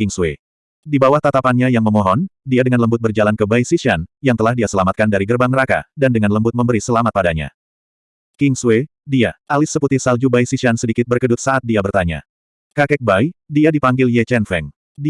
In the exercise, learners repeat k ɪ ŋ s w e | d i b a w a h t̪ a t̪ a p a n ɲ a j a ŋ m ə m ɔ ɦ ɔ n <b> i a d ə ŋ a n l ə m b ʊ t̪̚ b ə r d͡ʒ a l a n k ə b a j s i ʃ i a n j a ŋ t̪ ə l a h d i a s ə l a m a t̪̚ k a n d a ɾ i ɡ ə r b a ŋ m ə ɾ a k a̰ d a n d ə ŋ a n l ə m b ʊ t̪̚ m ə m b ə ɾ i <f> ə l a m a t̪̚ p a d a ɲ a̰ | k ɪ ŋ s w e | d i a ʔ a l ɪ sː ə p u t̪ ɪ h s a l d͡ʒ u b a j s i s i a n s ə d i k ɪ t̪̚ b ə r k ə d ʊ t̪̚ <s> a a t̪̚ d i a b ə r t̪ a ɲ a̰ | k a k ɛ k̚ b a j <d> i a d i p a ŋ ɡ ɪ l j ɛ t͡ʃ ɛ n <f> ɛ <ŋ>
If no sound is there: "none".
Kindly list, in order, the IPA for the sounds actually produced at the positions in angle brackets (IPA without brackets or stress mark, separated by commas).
d, s, s, d, f, ŋ